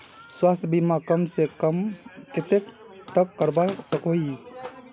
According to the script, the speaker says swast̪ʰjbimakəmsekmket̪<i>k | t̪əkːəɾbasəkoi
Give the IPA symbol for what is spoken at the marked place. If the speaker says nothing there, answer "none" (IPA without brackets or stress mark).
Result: e